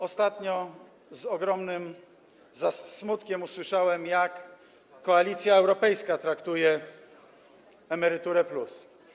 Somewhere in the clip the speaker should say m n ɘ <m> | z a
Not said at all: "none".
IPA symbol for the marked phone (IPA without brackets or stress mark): m